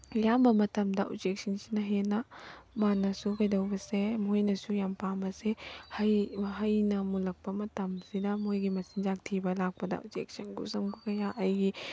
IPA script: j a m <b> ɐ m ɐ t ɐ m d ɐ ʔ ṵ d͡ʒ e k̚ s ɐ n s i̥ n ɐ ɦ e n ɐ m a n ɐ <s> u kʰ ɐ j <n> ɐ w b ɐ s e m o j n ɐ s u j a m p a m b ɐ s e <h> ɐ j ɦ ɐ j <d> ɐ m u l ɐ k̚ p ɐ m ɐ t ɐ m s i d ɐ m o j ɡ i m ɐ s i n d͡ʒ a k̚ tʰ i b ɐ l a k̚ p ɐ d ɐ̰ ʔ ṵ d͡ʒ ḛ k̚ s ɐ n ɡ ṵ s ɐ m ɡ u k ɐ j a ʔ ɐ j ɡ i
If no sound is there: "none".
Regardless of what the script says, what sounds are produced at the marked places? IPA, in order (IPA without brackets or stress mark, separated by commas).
b, s, d, h, n